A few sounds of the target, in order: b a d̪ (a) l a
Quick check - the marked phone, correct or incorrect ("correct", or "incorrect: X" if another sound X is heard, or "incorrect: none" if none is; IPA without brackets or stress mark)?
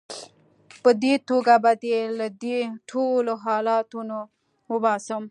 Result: incorrect: e